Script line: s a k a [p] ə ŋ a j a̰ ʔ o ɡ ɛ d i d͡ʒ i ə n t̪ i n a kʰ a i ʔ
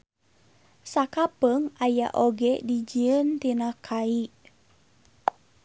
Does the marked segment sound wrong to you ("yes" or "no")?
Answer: no